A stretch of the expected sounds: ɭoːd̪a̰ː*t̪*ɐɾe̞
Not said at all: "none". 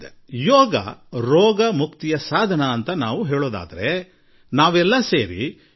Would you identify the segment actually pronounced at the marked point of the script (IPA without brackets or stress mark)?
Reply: d̪